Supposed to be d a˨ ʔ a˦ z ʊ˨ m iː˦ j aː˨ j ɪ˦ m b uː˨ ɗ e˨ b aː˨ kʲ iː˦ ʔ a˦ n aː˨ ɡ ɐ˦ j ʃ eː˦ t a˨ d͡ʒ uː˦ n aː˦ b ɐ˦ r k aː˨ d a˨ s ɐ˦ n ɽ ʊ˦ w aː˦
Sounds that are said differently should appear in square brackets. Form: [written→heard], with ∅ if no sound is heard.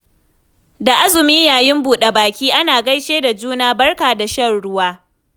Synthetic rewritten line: d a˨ ʔ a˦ z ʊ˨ m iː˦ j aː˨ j ɪ˦ m b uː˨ ɗ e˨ b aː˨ kʲ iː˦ ʔ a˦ n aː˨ ɡ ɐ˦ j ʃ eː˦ [t→d] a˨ d͡ʒ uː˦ n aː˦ b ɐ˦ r k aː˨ d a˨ [s→ʃ] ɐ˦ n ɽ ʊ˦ w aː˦